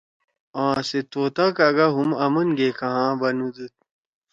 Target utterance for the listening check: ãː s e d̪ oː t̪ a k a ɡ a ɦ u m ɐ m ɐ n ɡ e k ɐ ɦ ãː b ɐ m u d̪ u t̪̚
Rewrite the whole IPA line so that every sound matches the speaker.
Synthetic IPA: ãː s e t̪ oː t̪ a k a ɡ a ɦ u m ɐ m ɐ n ɡ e k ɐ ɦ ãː b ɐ n u d̪ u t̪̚